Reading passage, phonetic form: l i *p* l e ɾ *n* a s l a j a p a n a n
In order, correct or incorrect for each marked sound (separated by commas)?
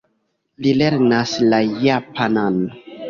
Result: incorrect, correct